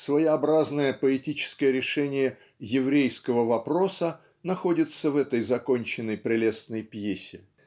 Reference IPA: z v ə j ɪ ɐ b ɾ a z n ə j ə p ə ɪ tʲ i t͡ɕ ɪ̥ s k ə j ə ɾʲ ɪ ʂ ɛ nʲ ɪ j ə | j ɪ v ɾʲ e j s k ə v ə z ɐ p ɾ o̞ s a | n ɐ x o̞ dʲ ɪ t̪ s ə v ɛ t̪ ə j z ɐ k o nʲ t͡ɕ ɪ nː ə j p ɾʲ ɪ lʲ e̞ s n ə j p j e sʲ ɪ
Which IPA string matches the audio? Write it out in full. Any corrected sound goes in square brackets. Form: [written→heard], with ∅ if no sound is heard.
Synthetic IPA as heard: [z→s] v ə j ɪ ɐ b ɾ a z n ə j ə p ə ɪ tʲ i t͡ɕ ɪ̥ s k ə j ə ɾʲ ɪ ʂ ɛ nʲ ɪ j ə | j ɪ v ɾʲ e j s k ə v ə [z→v] ɐ p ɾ o̞ s [a→ə] | n ɐ x o̞ dʲ ɪ t̪ s ə v ɛ t̪ ə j z ɐ k o nʲ t͡ɕ ɪ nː ə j p ɾʲ ɪ lʲ e̞ s n ə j p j e sʲ ɪ